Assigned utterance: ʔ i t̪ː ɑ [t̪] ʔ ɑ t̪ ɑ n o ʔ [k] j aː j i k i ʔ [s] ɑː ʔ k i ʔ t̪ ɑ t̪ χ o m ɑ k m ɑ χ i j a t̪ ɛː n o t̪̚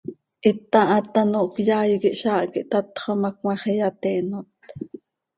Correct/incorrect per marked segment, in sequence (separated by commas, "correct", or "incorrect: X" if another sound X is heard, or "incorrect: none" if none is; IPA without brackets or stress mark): incorrect: none, correct, incorrect: ʃ